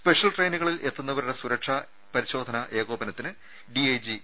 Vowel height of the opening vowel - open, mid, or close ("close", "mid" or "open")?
mid